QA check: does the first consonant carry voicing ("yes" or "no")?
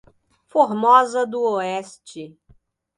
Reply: no